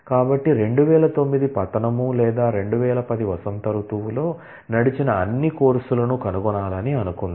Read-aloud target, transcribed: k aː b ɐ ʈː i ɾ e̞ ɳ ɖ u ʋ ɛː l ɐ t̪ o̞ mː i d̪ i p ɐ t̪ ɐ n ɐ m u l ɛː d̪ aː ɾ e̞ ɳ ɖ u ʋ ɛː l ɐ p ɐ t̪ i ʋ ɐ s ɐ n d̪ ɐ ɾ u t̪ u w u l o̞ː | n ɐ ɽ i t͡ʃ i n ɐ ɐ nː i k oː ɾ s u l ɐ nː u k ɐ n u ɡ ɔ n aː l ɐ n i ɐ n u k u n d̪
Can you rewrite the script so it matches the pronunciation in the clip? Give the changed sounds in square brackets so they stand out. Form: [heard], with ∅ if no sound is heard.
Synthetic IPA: k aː b ɐ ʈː i ɾ e̞ ɳ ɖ u ʋ ɛː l ɐ t̪ o̞ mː i d̪ i p ɐ t̪ ɐ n ɐ m u l ɛː d̪ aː ɾ e̞ ɳ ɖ u ʋ ɛː l ɐ p ɐ [d̪] i ʋ ɐ s ɐ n [t̪] ɐ ɾ u t̪ u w u l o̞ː | n ɐ ɽ i t͡ʃ i n ɐ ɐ nː i k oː ɾ s u l ɐ [n] u k ɐ n u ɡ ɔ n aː l ɐ n i ɐ n u k u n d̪